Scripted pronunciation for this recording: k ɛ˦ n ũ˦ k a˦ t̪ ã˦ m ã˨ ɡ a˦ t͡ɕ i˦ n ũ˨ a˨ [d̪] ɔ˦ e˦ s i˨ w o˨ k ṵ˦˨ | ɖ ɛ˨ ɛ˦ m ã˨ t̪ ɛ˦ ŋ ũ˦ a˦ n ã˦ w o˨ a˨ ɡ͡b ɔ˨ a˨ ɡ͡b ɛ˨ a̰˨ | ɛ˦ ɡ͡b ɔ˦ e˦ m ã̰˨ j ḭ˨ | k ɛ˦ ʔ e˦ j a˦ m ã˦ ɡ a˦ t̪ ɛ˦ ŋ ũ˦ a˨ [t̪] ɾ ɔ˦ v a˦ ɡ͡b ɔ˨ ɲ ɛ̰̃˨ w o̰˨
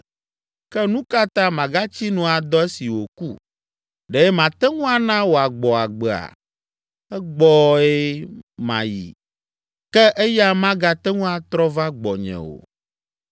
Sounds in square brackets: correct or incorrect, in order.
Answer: correct, correct

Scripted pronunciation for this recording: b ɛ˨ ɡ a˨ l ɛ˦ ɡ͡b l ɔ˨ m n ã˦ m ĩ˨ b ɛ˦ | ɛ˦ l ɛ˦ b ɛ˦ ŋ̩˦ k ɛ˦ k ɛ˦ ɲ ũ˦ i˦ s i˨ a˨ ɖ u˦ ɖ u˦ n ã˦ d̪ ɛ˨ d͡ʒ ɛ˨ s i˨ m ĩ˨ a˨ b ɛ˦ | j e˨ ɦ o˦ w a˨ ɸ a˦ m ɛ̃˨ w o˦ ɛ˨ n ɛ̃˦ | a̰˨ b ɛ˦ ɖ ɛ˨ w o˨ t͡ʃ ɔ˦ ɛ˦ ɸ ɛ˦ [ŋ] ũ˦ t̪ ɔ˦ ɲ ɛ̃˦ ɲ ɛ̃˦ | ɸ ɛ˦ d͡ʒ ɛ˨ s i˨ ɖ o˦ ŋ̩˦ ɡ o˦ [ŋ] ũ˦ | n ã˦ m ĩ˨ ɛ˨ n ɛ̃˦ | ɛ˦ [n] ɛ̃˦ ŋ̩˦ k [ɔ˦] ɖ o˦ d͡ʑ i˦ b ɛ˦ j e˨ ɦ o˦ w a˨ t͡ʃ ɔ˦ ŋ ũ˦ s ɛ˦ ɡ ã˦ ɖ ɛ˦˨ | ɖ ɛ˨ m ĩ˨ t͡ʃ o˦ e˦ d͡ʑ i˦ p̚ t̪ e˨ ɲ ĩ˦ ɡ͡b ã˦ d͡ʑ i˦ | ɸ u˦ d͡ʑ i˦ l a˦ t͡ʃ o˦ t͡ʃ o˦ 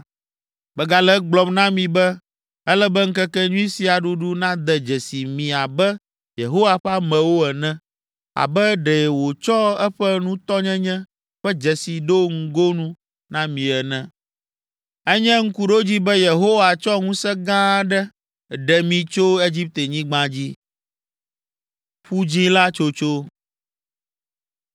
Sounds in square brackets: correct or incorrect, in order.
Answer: incorrect: n, incorrect: n, incorrect: ɲ, incorrect: u˦

